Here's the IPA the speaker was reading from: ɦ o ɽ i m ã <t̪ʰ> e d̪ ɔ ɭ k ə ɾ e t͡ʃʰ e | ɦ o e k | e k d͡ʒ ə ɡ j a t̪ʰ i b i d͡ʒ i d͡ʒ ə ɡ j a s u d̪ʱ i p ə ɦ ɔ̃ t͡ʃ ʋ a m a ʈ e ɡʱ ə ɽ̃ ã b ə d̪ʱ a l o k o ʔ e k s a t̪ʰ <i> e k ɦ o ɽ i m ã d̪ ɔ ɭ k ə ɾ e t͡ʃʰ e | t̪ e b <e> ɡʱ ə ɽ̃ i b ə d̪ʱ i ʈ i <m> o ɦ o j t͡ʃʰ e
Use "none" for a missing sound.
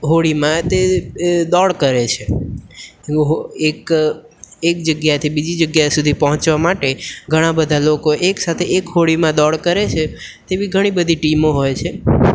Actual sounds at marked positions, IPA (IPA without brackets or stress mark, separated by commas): t̪, e, i, m